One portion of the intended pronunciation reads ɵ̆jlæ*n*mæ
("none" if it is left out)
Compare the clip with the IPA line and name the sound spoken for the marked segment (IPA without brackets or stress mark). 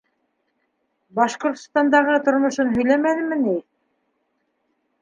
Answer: none